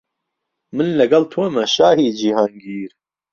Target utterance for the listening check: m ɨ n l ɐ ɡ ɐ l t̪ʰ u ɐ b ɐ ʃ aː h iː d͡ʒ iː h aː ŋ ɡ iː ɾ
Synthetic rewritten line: m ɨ n l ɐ ɡ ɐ l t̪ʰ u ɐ m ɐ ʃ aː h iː d͡ʒ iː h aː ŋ ɡ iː ɾ